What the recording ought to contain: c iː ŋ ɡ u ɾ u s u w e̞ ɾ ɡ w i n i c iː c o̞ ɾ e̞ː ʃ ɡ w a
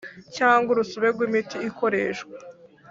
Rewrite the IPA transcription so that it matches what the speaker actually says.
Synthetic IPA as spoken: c aː ŋ ɡ u ɾ u s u β e̞ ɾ ɡ w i m i t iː k o̞ ɾ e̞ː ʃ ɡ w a